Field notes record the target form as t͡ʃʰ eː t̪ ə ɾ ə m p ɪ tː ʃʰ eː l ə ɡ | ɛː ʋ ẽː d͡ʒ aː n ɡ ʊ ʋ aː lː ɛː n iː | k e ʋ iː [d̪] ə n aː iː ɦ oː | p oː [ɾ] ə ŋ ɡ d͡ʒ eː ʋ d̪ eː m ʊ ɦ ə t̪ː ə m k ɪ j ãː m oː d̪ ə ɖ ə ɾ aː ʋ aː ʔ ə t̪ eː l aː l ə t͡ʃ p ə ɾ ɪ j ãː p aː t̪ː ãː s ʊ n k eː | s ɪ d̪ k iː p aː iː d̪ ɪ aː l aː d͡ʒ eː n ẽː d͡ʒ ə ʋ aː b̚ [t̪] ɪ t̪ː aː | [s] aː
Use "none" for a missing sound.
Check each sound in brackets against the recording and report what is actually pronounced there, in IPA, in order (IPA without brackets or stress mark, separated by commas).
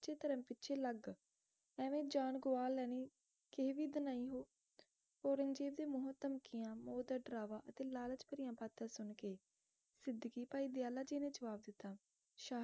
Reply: d̪, ɾ, d̪, ʃ